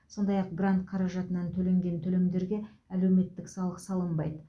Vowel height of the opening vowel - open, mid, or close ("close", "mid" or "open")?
mid